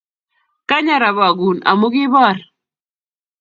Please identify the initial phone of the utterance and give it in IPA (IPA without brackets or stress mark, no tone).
k